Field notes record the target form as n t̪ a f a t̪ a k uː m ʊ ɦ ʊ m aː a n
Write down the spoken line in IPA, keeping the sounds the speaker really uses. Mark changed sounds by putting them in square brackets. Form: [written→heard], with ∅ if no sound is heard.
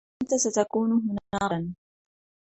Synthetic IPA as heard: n t̪ a [f→s] a t̪ a k uː [m→n] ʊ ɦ ʊ [m→n] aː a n